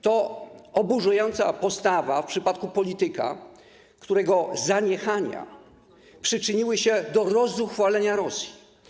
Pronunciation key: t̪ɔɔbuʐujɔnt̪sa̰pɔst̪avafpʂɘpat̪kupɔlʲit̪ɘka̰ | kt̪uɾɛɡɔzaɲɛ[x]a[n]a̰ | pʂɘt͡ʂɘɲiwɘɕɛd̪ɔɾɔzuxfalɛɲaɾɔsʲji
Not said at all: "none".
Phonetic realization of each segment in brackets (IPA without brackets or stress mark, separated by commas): x, ɲ